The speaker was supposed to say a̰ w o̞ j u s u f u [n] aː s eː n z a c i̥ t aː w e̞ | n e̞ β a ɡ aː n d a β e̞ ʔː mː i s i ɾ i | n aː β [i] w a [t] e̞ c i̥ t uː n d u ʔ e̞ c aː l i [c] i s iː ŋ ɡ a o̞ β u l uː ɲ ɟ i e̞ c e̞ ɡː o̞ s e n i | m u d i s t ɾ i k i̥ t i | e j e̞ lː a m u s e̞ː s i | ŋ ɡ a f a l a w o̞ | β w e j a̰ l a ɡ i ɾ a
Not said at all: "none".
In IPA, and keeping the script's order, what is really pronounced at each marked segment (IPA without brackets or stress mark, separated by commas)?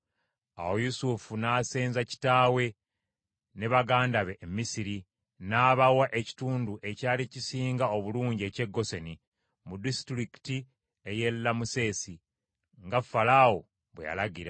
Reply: n, a, ʔ, c